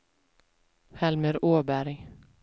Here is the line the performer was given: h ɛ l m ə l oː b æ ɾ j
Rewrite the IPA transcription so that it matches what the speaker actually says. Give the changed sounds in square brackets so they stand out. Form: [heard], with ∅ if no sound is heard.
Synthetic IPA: h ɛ l m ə [ɾ] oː b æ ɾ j